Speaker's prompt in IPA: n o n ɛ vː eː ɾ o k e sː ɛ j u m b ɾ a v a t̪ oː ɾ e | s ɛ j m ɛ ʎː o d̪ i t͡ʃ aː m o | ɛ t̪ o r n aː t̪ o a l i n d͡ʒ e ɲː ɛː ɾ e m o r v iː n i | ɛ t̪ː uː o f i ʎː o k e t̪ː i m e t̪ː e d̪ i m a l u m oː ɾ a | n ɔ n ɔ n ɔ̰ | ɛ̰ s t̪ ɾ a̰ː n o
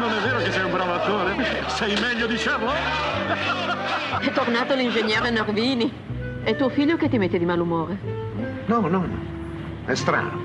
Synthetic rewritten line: n o n ɛ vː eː ɾ o k e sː ɛ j u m b ɾ a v a t̪ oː ɾ e | s ɛ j m ɛ ʎː o d̪ i t͡ʃ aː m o | ɛ t̪ o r n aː t̪ o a l i n d͡ʒ e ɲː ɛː ɾ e n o r v iː n i | ɛ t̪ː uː o f i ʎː o k e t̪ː i m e t̪ː e d̪ i m a l u m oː ɾ e | n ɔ n ɔ n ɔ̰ | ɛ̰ s t̪ ɾ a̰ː n o